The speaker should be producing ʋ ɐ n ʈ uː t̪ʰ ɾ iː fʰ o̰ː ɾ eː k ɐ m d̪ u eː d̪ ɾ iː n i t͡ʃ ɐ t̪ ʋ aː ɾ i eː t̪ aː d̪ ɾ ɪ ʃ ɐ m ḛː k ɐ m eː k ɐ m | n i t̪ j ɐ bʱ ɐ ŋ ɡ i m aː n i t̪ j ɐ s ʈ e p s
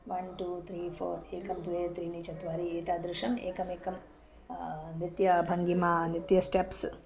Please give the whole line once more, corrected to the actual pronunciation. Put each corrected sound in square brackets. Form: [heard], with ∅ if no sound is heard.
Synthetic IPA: ʋ ɐ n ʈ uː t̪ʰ ɾ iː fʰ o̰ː ɾ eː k ɐ m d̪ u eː [t̪] ɾ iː n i t͡ʃ ɐ t̪ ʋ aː ɾ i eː t̪ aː d̪ ɾ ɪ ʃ ɐ m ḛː k ɐ m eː k ɐ m | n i t̪ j ɐ bʱ ɐ ŋ ɡ i m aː n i t̪ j ɐ s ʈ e p s

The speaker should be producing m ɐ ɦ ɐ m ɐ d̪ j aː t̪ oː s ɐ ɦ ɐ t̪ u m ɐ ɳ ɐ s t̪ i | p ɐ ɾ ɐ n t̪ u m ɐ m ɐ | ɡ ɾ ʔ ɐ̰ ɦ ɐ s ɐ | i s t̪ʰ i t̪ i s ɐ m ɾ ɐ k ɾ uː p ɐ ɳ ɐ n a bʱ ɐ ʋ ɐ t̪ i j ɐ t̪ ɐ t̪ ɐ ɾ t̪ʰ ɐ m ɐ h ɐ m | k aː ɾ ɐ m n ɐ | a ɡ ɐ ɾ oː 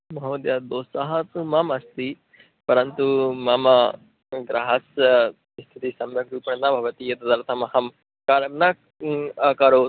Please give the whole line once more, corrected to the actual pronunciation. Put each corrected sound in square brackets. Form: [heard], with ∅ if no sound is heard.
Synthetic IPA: m ɐ ɦ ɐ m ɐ d̪ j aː [d̪] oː s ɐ ɦ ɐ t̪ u m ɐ [m] ɐ s t̪ i | p ɐ ɾ ɐ n t̪ u m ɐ m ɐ | ɡ ɾ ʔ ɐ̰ ɦ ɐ s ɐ | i s t̪ʰ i t̪ i s ɐ m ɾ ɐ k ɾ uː p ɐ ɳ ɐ n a bʱ ɐ ʋ ɐ t̪ i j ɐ t̪ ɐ [d̪] ɐ ɾ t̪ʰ ɐ m ɐ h ɐ m | k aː ɾ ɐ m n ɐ | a [k] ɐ ɾ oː

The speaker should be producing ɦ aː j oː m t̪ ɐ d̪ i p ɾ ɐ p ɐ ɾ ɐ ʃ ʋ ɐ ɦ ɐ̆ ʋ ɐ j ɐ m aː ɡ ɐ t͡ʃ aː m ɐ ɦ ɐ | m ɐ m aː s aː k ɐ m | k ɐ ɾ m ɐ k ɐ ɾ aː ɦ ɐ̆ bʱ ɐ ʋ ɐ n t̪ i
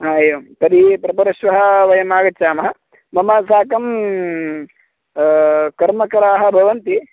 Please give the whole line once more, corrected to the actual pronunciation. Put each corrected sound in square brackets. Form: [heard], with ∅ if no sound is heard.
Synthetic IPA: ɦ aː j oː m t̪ ɐ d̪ i p ɾ ɐ p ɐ ɾ ɐ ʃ ʋ ɐ ɦ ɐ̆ ʋ ɐ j ɐ m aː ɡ ɐ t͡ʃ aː m ɐ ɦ ɐ | m ɐ m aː s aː k ɐ m | k ɐ ɾ m ɐ k ɐ ɾ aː ɦ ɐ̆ bʱ ɐ ʋ ɐ n t̪ i

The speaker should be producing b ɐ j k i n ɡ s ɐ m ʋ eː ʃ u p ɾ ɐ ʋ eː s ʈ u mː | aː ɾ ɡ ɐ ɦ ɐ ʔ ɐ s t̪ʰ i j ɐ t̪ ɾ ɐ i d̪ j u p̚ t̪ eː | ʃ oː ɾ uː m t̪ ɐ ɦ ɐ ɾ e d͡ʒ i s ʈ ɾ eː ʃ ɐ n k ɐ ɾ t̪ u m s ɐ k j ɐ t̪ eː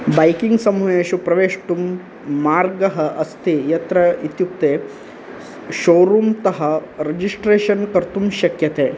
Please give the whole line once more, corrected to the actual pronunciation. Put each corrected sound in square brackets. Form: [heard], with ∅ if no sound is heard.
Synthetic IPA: b ɐ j k i [ŋ] ɡ s ɐ m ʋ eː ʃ u p ɾ ɐ ʋ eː [ʂ] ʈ u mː | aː ɾ ɡ ɐ ɦ ɐ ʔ ɐ s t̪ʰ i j ɐ t̪ ɾ ɐ i [t̪] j u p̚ t̪ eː | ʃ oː ɾ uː m t̪ ɐ ɦ ɐ ɾ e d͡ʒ i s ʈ ɾ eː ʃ ɐ n k ɐ ɾ t̪ u m [ʃ] ɐ k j ɐ t̪ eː

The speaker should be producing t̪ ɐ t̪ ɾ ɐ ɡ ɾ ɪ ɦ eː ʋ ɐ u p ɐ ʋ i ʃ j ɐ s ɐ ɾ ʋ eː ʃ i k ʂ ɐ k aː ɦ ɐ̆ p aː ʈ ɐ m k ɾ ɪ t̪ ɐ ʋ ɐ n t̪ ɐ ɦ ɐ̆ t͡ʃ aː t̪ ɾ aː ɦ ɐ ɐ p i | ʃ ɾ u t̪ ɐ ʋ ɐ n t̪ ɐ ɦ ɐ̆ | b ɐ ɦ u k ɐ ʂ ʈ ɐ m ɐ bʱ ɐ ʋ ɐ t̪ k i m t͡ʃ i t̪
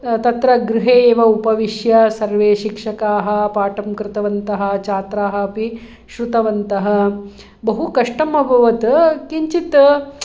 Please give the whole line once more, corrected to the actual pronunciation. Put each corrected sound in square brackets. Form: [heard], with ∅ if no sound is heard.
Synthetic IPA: t̪ ɐ t̪ ɾ ɐ ɡ ɾ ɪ ɦ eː ʋ ɐ u p ɐ ʋ i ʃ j ɐ s ɐ ɾ ʋ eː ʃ i k ʂ ɐ k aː ɦ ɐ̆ p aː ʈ ɐ m k ɾ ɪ t̪ ɐ ʋ ɐ n t̪ ɐ ɦ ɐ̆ t͡ʃ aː t̪ ɾ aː ɦ ɐ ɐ p i | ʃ ɾ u t̪ ɐ ʋ ɐ n t̪ ɐ ɦ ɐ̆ | b ɐ ɦ u k ɐ ʂ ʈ ɐ m ɐ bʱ ɐ ʋ ɐ t̪ k i [ɲ] t͡ʃ i t̪

